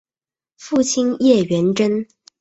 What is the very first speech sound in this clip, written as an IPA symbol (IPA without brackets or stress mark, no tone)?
f